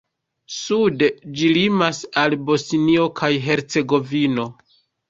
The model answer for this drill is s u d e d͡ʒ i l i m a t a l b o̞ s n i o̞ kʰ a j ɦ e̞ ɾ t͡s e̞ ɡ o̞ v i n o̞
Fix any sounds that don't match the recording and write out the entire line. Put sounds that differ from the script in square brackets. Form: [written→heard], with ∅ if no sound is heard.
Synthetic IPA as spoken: s u d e d͡ʒ i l i m a [t→s] a l b o̞ s n i o̞ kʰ a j ɦ e̞ ɾ t͡s e̞ ɡ o̞ v i n o̞